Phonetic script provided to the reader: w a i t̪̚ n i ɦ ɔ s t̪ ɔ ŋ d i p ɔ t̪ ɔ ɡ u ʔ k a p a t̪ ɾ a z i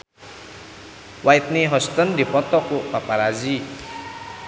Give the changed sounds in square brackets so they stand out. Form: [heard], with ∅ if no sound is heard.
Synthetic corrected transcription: w a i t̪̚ n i ɦ ɔ s t̪ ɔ [n] d i p ɔ t̪ ɔ [k] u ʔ [p] a p a [∅] ɾ a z i

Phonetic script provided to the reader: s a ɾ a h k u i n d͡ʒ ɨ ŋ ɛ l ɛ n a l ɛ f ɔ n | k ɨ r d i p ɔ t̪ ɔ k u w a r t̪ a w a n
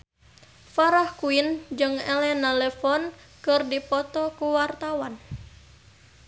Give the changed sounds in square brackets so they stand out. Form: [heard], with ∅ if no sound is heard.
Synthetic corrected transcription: [f] a ɾ a h k u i n d͡ʒ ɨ ŋ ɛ l ɛ n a l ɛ f ɔ n | k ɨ r d i p ɔ t̪ ɔ k u w a r t̪ a w a n

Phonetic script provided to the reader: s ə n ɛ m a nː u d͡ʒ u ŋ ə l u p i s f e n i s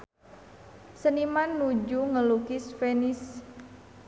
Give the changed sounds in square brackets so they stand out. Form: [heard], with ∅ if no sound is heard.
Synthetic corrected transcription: s ə n [i] m a nː u d͡ʒ u ŋ ə l u [k] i s f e n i s

